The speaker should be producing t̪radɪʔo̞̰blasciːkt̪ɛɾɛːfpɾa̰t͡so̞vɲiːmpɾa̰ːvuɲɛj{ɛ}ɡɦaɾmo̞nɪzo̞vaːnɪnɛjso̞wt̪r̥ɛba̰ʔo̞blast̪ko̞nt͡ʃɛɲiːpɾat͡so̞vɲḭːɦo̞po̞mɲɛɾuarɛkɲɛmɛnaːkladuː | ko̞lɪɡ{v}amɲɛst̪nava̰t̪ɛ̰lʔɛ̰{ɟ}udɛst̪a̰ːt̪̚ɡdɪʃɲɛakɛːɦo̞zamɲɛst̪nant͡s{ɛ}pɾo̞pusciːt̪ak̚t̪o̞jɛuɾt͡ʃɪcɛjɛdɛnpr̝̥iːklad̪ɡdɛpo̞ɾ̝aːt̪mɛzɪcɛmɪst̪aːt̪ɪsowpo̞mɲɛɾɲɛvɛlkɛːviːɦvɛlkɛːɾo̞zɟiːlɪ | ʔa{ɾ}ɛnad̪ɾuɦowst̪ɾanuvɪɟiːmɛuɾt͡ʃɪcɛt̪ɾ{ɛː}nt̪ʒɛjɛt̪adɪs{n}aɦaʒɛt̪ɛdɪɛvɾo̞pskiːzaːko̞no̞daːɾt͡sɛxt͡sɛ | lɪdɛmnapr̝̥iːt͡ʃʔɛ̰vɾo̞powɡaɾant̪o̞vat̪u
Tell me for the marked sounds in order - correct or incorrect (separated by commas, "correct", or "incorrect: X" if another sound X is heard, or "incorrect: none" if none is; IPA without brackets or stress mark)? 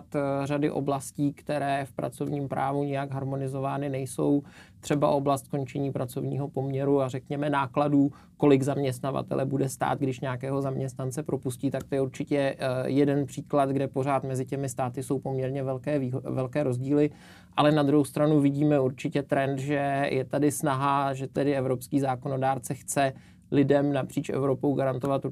incorrect: a, incorrect: z, incorrect: b, correct, incorrect: l, incorrect: ɛ, correct